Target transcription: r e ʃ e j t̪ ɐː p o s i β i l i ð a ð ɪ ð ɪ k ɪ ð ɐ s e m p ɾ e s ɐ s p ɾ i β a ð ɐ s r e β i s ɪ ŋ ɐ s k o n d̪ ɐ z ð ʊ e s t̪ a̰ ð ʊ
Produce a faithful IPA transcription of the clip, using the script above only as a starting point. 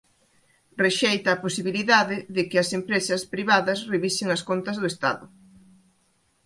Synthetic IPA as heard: r e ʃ e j t̪ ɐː p o s i β i l i ð a ð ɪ ð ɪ k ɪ ɐ s e m p ɾ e s ɐ s p ɾ i β a ð ɐ s r e β i s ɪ ŋ ɐ s k o n t̪ ɐ z ð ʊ e s t̪ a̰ ð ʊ

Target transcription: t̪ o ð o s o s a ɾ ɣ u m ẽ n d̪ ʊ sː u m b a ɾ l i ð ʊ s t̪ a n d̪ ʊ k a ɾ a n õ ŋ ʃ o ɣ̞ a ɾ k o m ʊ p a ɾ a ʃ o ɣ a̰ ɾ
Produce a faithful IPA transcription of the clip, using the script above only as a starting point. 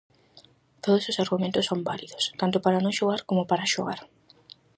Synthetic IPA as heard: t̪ o ð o s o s a ɾ ɣ u m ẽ n t̪ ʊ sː o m b a l i ð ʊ s t̪ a n t̪ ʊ p a ɾ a n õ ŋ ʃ o ɣ̞ a ɾ k o m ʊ p a ɾ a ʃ o ɣ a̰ ɾ

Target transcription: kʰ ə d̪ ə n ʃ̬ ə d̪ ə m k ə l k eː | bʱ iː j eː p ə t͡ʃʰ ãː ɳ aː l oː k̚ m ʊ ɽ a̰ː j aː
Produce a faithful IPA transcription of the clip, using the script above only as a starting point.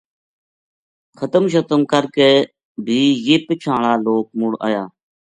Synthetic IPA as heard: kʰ ə t̪ ə m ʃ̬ ə t̪ ə m k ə ɾ k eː | bʱ iː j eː p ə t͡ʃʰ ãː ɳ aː l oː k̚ m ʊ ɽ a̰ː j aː

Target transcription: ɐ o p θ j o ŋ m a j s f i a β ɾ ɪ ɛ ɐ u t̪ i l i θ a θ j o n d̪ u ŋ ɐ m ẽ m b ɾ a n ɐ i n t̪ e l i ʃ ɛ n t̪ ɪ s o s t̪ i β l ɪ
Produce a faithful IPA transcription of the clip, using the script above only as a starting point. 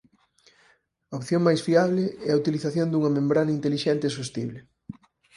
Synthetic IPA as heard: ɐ o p θ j o ŋ m a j s f i a β l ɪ ɛ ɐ u t̪ i l i θ a θ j o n d̪ u ŋ ɐ m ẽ m b ɾ a n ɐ i n t̪ e l i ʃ ɛ n t̪ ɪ s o s t̪ i β l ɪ

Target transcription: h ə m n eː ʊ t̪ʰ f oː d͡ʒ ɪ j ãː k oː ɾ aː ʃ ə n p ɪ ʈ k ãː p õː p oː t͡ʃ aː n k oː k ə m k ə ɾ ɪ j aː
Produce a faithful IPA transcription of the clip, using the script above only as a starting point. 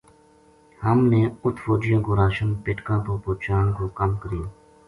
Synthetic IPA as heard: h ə m n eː ʊ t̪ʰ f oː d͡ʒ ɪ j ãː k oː ɾ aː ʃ ə n p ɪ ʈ k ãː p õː p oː t͡ʃ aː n k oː k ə m k ə ɾ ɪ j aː

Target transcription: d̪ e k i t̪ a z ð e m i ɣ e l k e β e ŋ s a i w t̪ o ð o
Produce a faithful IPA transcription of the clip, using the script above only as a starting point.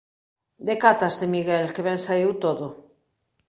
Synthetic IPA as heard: d̪ e k a t̪ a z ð e m i ɣ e l k e β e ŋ s a i w t̪ o ð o

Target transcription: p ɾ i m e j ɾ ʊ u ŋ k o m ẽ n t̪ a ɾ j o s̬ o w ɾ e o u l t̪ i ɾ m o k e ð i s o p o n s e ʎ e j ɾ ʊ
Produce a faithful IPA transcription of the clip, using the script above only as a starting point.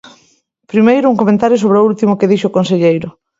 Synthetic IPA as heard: p ɾ i m e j ɾ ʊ u ŋ k o m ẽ n t̪ a ɾ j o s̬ o β ɾ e o u l t̪ i m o k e ð i ʃ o k o n s e ʎ e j ɾ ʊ

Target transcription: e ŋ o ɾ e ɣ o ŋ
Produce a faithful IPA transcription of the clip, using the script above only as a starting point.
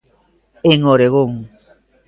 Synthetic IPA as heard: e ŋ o ɾ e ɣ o ŋ

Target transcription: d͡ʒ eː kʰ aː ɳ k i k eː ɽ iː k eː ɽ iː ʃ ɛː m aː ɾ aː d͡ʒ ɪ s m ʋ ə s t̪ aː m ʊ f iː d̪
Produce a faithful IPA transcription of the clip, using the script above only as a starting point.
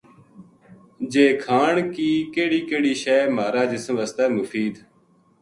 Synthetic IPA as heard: d͡ʒ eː kʰ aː ɳ k iː k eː ɽ iː k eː ɽ iː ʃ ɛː m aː ɾ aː d͡ʒ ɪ s m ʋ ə s t̪ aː m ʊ f iː d̪

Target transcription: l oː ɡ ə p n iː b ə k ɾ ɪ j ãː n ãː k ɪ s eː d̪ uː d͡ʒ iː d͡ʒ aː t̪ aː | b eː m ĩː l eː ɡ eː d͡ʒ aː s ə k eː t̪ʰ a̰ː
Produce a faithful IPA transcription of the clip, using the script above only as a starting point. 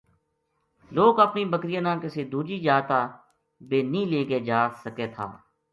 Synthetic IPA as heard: l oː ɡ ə p n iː b ə k ɾ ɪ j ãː n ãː k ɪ s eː d̪ uː d͡ʒ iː d͡ʒ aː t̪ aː | b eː n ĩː l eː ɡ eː d͡ʒ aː s ə k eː t̪ʰ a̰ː

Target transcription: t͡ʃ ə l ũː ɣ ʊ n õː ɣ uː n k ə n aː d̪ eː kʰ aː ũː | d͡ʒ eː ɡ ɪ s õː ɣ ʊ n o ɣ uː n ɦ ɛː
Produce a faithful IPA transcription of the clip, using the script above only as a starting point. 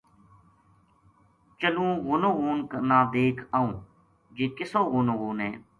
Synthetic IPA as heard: t͡ʃ ə l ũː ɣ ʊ n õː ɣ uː n k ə n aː d̪ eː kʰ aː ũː | d͡ʒ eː k ɪ s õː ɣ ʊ n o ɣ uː n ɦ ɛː

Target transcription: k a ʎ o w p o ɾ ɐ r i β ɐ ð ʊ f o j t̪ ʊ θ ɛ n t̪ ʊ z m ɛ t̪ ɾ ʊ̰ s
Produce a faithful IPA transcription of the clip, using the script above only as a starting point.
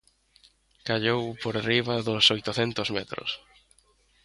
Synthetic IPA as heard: k a ʎ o w p o ɾ a r i β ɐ ð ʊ s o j t̪ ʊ θ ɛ n t̪ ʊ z m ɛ t̪ ɾ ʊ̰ s

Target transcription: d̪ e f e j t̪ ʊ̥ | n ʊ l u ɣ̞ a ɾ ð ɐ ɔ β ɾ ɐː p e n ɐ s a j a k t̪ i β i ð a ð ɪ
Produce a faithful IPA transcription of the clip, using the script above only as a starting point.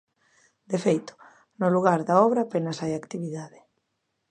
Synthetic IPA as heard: d̪ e f e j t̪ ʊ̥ | n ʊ l u ɣ̞ a ɾ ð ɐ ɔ β ɾ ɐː p e n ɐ s a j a k t̪ i β i ð a ð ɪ

